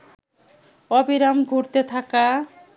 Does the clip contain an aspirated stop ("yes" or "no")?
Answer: yes